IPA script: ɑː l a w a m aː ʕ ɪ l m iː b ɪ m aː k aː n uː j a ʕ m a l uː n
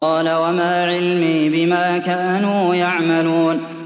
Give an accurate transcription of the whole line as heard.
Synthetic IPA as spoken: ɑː l a w a m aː ʕ ɪ l m iː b ɪ m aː k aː n uː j a ʕ m a l uː n